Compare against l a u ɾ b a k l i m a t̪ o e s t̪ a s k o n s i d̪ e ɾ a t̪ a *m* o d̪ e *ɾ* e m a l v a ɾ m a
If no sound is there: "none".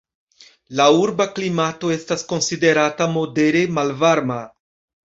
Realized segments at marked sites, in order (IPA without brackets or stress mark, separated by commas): m, ɾ